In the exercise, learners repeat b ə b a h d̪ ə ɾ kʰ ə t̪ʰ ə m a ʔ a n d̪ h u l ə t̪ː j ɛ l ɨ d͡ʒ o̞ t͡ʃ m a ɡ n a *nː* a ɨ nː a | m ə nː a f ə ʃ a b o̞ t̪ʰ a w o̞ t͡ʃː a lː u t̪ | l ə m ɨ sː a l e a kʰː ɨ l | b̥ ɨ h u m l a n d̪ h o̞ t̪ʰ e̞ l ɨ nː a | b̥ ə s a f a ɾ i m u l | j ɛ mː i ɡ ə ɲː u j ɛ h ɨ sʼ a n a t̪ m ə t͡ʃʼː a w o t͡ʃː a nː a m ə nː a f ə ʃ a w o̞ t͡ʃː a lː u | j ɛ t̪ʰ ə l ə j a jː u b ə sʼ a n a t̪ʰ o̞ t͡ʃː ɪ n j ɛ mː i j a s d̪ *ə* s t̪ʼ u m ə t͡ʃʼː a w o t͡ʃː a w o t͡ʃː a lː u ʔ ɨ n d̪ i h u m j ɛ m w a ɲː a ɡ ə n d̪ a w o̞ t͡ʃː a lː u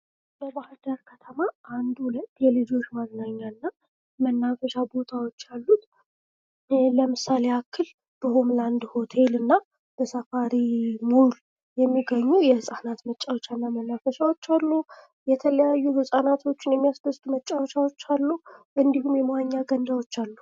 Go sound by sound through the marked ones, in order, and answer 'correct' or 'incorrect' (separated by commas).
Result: incorrect, correct